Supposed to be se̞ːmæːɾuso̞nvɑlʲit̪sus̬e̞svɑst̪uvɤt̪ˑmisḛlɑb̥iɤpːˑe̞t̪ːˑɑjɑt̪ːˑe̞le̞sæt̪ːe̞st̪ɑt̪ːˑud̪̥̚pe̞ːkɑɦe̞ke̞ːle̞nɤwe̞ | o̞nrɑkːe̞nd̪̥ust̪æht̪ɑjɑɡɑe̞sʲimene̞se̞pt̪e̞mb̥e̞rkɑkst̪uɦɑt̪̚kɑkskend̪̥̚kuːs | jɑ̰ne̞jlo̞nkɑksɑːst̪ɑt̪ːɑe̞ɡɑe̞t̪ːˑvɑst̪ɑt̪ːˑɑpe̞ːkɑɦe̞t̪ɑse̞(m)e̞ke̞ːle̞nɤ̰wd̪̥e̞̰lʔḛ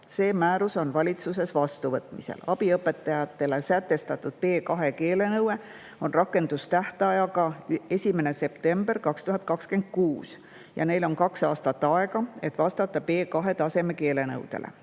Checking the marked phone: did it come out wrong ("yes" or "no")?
no